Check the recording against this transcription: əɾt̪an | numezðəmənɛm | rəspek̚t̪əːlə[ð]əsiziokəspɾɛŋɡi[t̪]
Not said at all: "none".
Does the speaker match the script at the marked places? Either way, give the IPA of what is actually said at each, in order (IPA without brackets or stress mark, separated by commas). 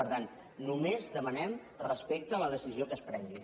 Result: ð, none